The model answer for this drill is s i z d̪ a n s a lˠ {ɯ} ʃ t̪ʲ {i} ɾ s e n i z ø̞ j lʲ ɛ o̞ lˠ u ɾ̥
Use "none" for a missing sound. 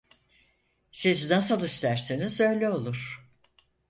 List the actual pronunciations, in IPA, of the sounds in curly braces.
ɯ, æ

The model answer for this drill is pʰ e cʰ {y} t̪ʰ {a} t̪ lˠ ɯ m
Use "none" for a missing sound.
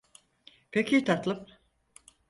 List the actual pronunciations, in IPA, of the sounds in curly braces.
i, a

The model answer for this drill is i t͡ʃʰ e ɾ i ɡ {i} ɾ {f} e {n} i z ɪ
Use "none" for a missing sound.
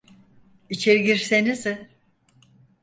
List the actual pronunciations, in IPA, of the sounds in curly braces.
i, s, n

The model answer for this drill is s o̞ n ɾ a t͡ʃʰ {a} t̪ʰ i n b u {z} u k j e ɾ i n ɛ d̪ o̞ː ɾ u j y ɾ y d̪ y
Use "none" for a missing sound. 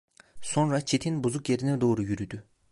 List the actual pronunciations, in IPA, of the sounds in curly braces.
e, z

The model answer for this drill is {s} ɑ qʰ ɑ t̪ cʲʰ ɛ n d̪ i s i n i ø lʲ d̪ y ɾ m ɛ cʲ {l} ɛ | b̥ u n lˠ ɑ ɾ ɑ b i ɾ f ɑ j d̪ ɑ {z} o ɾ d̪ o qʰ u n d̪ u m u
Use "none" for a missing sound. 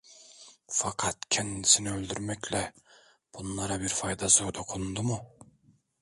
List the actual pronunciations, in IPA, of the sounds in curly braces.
f, l, z

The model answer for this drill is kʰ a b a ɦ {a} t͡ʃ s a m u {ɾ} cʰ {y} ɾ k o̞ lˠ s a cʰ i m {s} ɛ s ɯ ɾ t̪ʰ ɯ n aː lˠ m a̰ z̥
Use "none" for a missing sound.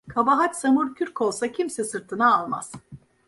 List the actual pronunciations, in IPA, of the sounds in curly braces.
a, ɾ, y, s

